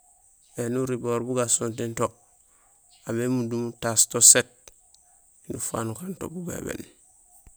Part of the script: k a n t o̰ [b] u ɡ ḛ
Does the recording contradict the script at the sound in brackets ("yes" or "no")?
no